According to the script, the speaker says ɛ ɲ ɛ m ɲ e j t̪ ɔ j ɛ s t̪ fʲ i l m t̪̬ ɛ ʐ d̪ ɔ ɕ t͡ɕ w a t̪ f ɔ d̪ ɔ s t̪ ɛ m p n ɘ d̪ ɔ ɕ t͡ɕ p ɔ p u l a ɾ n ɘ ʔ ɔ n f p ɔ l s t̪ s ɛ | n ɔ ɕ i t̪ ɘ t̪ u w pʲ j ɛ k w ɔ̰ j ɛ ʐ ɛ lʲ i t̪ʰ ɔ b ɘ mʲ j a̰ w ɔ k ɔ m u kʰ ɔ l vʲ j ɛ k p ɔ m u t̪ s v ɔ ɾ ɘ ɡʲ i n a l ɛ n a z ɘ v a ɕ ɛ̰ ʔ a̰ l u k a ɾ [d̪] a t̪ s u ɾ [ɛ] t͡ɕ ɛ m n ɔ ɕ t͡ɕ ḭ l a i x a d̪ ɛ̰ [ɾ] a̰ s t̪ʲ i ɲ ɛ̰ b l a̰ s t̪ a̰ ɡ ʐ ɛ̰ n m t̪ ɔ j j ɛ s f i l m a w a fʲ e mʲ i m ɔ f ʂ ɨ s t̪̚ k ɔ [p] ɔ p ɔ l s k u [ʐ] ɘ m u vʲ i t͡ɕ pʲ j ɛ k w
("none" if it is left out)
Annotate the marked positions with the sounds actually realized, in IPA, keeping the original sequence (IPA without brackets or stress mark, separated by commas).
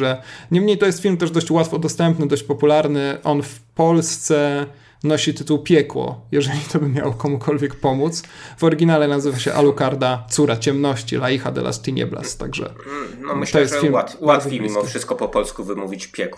d̪, a, l, p, v